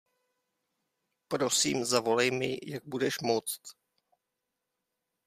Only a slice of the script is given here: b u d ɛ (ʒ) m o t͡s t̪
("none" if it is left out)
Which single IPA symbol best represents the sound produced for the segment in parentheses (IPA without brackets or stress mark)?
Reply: ʃ